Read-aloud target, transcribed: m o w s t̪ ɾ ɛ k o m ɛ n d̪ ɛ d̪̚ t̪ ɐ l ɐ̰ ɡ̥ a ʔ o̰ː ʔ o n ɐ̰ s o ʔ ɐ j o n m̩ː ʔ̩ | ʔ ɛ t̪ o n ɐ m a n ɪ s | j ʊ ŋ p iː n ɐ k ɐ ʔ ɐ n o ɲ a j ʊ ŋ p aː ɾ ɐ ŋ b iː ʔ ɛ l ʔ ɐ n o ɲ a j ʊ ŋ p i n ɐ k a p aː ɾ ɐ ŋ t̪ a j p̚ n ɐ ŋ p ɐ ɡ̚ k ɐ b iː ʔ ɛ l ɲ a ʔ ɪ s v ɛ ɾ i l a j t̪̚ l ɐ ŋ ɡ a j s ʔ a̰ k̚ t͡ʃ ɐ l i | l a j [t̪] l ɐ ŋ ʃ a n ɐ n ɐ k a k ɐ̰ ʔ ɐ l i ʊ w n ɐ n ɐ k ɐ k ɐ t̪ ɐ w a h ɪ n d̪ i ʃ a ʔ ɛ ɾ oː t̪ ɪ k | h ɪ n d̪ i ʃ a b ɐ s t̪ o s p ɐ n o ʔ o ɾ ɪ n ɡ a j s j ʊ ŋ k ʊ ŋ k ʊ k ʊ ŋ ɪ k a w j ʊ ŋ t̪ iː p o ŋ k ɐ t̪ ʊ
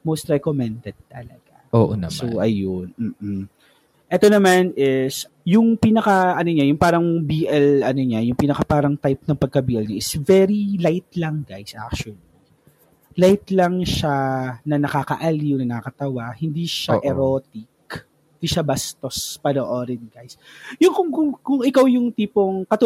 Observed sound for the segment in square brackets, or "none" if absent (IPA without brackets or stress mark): t̪